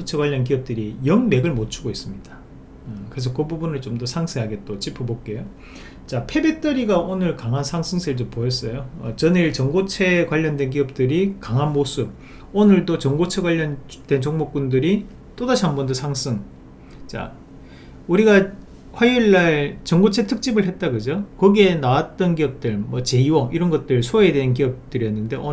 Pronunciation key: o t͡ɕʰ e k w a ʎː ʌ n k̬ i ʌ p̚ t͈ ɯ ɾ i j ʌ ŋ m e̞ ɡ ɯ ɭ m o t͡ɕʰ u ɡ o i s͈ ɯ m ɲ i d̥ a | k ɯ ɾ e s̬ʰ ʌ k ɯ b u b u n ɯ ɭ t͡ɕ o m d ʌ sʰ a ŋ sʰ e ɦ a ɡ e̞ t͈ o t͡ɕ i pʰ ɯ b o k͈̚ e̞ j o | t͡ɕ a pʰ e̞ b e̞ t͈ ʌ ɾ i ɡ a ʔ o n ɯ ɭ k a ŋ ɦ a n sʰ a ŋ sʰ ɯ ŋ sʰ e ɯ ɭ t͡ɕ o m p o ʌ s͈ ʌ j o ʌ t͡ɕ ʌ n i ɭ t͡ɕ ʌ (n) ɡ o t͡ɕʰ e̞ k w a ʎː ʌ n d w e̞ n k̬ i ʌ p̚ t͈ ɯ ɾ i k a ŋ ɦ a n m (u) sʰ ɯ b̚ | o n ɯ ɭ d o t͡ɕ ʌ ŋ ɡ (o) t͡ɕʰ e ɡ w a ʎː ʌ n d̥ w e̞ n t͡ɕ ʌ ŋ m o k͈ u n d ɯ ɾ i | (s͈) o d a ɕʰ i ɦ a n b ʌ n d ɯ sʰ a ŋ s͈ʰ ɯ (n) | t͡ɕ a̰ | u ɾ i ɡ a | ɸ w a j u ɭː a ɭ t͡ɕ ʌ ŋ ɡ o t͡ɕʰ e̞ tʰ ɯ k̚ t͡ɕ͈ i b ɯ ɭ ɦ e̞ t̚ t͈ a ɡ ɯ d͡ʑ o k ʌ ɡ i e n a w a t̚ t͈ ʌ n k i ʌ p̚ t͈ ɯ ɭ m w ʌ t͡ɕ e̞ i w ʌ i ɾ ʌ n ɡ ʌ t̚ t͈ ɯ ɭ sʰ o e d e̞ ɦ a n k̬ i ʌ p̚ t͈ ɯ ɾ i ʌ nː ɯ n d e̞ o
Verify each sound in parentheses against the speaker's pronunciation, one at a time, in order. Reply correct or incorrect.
incorrect, incorrect, correct, incorrect, incorrect

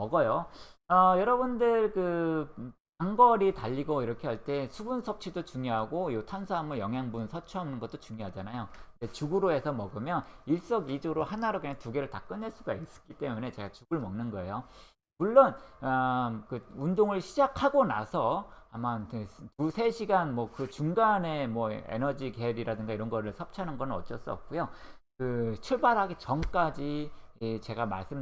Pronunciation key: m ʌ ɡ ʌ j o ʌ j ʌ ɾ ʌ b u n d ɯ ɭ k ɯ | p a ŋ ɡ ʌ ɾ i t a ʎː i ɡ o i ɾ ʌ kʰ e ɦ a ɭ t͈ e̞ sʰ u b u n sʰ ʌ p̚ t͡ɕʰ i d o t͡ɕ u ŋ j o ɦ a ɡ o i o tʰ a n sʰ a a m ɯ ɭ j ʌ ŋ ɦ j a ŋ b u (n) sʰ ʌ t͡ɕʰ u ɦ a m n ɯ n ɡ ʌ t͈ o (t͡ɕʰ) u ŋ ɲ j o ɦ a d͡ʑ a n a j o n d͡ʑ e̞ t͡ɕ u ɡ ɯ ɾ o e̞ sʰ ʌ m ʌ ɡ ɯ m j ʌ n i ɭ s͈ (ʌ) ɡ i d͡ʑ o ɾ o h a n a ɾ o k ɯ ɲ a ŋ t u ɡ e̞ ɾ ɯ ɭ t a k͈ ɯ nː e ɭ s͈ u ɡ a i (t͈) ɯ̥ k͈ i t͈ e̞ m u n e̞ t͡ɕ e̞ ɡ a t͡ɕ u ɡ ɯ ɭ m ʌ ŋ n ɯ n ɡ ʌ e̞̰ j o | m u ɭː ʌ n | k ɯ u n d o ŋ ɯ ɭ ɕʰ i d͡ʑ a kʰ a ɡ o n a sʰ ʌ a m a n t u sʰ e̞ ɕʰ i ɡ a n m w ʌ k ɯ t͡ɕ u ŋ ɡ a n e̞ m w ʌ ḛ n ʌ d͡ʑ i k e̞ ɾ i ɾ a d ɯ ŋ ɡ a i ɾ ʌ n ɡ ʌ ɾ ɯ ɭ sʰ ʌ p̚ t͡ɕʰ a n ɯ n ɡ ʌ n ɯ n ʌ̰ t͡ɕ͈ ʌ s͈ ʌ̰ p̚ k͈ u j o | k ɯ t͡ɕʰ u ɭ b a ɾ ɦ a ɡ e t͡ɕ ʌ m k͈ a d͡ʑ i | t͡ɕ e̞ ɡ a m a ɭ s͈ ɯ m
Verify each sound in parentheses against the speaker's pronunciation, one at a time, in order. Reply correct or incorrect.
correct, incorrect, correct, incorrect

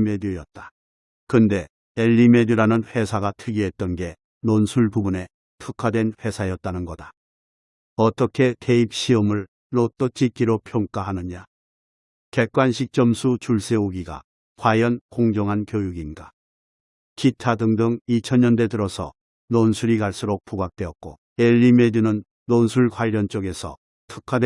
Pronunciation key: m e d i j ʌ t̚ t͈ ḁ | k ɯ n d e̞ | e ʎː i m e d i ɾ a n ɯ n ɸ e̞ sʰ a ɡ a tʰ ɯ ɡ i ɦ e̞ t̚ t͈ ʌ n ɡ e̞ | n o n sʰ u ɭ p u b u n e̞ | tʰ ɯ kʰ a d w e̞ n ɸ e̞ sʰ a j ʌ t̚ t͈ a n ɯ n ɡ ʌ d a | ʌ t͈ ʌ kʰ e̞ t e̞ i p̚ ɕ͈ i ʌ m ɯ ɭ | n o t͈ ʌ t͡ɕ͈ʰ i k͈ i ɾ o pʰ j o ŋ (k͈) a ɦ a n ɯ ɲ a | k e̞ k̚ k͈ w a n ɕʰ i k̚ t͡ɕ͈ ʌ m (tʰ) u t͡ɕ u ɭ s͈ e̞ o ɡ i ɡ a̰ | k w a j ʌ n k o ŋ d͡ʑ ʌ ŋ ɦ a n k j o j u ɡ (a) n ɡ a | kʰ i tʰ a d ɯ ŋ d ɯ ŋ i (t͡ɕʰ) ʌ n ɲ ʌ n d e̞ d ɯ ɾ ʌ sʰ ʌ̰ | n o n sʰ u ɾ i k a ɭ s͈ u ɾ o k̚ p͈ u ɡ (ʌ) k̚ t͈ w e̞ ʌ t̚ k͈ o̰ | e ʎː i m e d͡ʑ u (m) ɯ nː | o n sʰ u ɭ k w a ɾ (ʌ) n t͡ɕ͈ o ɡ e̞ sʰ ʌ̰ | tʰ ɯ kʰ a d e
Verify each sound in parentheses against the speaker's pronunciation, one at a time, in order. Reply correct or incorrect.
correct, incorrect, incorrect, correct, incorrect, incorrect, correct

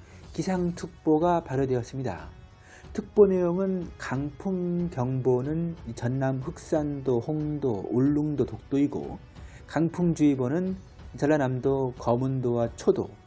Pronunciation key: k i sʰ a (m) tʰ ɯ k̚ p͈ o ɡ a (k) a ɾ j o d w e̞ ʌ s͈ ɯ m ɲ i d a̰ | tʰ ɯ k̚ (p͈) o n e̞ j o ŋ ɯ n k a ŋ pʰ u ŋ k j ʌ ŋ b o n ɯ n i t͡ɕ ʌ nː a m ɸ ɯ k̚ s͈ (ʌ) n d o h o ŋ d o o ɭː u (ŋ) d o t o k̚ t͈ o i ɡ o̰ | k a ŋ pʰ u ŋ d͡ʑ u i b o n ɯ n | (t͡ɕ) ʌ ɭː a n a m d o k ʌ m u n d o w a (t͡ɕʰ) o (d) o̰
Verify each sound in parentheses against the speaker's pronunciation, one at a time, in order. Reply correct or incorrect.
incorrect, incorrect, correct, incorrect, correct, correct, correct, correct

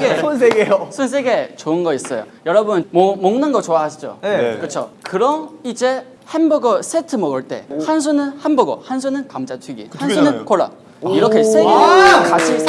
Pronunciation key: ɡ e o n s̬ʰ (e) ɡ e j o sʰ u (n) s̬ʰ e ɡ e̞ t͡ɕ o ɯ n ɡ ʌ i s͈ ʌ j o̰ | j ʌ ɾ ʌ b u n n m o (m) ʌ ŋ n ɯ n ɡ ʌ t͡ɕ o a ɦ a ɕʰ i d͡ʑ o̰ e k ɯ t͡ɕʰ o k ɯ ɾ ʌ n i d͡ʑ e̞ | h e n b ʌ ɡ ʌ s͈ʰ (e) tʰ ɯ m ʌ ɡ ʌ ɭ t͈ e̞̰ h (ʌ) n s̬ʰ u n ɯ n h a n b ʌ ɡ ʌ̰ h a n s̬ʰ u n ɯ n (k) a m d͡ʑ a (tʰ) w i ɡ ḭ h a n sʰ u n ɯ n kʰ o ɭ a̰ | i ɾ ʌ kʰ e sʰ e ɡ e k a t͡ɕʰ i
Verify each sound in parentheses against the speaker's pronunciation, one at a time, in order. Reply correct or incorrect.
correct, correct, correct, correct, incorrect, correct, correct

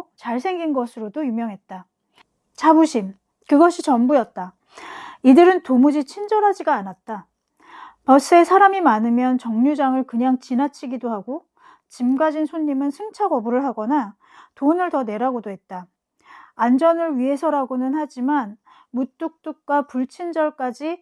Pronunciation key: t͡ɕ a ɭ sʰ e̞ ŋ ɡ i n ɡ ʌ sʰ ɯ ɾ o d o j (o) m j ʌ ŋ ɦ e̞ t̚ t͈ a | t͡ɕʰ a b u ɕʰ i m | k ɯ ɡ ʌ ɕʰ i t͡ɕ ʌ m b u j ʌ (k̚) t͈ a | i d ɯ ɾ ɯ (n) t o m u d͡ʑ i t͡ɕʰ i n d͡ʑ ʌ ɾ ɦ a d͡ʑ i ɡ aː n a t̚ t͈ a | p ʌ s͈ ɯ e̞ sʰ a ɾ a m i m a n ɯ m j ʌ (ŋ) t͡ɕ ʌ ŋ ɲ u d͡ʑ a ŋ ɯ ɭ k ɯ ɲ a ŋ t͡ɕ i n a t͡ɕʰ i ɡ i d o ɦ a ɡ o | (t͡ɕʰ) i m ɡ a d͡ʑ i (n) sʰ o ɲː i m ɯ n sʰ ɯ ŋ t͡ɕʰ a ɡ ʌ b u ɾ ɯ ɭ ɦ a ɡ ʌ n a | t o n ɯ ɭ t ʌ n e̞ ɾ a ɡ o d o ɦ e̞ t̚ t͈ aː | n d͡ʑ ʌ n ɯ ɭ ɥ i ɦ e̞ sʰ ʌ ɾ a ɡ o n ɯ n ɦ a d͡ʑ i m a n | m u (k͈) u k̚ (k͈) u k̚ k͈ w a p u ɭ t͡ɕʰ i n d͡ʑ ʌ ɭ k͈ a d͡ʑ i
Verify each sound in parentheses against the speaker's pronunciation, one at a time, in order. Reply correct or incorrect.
incorrect, incorrect, correct, incorrect, incorrect, correct, incorrect, incorrect

